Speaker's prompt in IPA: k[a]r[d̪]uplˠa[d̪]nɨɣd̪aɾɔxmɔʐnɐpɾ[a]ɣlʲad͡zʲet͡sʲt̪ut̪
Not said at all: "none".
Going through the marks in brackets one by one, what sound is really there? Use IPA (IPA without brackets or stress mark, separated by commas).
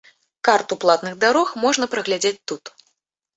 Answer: a, t̪, t̪, ɐ